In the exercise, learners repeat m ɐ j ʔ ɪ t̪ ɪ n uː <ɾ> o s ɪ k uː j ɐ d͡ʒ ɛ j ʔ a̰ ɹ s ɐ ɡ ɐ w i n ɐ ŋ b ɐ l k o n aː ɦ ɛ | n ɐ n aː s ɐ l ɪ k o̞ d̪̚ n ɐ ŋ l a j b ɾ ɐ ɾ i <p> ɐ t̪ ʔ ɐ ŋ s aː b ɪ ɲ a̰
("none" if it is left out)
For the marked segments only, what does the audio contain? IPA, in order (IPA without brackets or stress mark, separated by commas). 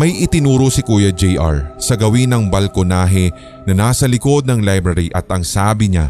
ɾ, ʔ